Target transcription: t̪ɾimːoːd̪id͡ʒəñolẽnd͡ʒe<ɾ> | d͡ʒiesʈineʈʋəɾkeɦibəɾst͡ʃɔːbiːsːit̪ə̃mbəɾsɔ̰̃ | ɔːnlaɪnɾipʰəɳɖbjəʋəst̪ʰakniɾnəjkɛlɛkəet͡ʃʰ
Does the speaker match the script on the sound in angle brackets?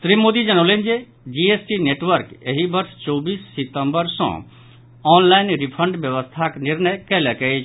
no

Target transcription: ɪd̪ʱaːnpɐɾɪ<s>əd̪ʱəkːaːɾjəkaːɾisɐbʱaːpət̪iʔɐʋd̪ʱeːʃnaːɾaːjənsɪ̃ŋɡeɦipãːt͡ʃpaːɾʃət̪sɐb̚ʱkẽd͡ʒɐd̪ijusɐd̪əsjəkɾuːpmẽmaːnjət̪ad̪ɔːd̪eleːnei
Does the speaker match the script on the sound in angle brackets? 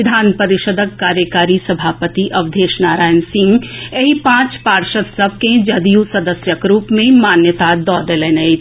no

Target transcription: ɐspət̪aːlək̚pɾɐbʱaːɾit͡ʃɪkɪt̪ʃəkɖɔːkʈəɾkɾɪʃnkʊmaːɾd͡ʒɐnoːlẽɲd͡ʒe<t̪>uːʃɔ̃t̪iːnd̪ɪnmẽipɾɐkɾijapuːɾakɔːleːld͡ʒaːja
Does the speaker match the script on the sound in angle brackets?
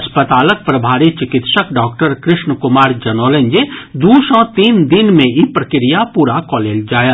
no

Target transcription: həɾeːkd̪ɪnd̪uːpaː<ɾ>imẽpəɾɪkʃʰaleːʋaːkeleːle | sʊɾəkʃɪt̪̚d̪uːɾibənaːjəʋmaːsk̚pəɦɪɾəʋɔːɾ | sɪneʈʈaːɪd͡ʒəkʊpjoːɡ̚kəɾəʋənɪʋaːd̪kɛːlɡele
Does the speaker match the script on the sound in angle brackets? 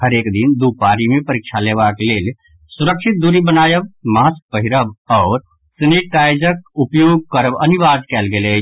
yes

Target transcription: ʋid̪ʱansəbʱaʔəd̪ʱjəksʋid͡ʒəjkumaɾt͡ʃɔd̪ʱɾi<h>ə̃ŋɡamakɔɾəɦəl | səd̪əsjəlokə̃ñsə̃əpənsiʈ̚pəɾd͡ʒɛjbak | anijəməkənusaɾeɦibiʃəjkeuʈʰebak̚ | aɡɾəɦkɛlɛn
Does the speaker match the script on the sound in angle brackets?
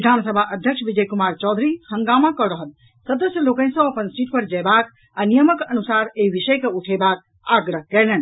yes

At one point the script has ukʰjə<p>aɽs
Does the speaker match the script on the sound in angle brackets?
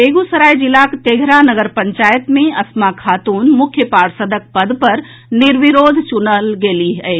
yes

